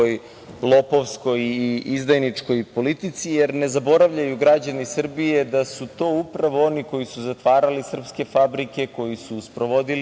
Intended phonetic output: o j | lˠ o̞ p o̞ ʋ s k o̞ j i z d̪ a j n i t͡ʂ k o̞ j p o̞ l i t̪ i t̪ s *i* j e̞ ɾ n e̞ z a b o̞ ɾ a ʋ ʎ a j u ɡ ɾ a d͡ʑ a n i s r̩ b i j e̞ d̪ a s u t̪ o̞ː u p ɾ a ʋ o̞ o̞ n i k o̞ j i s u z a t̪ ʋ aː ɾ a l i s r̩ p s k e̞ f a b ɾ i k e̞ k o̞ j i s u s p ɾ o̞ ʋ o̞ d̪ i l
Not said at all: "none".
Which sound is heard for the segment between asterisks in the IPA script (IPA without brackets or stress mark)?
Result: i